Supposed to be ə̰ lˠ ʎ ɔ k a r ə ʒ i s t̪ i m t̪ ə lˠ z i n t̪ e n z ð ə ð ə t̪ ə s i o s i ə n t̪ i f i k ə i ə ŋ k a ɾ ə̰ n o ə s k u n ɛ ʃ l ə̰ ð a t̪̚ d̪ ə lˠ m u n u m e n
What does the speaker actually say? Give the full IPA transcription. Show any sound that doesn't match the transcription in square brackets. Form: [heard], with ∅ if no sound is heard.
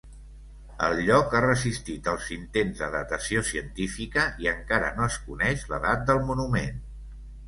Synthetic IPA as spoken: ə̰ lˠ ʎ ɔ k a r ə [z] i s t̪ i [∅] t̪ ə lˠ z i n t̪ e n z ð ə ð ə t̪ ə s i o s i ə n t̪ i f i k ə i ə ŋ k a ɾ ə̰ n o ə s k u n ɛ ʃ l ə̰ ð a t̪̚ d̪ ə lˠ m u n u m e n